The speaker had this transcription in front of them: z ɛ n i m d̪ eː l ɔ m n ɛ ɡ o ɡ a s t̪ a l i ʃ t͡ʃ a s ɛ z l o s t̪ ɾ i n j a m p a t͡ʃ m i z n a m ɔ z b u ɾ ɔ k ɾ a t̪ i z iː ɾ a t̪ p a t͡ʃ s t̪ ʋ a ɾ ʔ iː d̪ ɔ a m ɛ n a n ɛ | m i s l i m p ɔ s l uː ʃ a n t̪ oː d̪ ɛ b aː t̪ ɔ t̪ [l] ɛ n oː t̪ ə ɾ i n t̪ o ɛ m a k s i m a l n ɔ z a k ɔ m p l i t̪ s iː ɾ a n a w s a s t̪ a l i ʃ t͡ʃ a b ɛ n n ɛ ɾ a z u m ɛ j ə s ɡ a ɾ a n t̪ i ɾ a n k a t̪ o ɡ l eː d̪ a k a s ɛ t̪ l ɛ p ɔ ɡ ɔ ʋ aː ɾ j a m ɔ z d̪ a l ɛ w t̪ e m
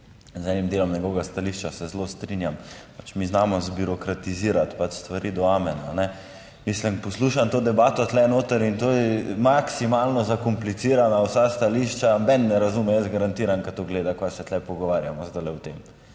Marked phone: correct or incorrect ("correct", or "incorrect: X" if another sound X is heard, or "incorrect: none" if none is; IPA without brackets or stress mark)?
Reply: correct